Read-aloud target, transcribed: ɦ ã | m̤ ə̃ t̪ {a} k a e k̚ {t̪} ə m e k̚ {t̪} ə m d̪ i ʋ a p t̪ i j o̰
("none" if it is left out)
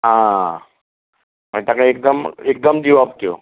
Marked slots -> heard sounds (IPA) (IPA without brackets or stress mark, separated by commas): a, d̪, d̪